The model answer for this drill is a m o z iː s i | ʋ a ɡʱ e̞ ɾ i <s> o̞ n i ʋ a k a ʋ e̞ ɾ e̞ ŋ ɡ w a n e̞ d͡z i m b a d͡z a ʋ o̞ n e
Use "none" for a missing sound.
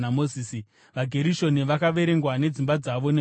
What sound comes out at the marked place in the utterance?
ʃ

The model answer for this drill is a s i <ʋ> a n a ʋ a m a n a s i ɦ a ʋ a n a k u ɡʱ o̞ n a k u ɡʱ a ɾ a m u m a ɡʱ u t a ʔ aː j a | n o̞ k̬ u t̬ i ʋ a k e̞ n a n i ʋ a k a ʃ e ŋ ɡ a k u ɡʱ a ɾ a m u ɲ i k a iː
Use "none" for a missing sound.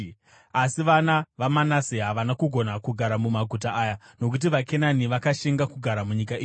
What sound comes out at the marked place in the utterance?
ʋ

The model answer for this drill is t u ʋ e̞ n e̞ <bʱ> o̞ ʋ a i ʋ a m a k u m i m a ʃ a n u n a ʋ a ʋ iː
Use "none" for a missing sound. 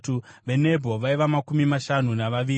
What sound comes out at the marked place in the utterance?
bʱ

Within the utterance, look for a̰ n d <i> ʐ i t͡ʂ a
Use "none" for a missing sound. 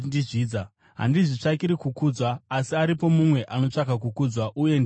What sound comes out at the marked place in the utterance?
i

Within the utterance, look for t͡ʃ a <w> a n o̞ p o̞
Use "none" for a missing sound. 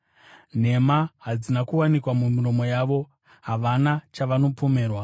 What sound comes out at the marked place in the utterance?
ʋ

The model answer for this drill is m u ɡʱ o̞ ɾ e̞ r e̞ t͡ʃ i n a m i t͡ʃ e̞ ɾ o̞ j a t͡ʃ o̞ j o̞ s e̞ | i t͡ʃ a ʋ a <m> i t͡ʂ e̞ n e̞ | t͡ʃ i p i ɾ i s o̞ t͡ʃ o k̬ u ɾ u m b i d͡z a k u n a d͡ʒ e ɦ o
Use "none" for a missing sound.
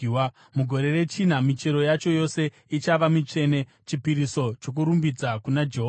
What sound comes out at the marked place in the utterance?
m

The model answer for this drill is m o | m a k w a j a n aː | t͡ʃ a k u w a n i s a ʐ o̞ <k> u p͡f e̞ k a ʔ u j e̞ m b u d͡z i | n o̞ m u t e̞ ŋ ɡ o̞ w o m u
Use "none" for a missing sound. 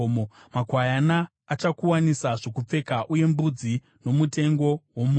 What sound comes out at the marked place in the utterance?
k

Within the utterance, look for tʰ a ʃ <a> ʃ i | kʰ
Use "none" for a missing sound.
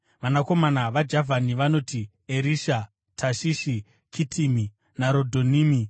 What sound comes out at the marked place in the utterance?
i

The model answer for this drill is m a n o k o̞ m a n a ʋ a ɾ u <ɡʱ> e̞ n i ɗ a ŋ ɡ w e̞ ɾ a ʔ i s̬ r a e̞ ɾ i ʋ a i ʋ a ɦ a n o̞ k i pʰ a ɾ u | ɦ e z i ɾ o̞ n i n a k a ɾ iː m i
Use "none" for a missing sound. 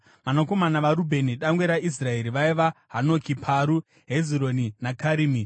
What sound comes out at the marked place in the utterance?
bʱ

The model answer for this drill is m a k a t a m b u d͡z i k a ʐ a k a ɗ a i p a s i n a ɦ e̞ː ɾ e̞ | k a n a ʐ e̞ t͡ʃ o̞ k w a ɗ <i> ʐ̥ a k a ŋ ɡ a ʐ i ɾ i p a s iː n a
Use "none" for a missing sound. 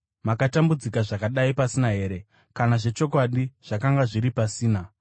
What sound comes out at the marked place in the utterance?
i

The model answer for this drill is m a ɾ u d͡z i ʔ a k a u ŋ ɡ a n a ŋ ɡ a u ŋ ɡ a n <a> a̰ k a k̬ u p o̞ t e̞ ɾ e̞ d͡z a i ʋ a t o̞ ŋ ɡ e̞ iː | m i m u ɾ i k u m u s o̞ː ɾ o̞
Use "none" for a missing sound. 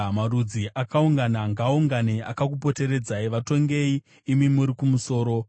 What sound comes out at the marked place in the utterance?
e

